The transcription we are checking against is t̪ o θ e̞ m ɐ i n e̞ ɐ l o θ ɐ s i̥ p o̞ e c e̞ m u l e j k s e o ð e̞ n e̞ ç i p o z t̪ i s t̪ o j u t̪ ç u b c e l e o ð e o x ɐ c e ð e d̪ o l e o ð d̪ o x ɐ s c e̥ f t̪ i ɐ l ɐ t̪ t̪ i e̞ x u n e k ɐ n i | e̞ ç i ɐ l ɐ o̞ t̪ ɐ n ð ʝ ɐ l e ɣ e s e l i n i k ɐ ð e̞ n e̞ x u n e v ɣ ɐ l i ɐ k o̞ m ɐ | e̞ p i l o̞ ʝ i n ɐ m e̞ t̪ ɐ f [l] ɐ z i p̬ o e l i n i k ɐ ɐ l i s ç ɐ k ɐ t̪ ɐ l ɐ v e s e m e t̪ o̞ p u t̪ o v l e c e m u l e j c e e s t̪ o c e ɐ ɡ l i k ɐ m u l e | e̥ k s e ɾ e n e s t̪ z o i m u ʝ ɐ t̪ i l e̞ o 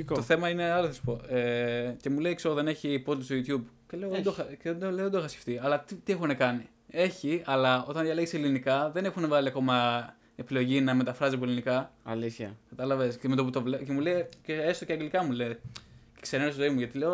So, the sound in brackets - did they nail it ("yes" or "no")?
no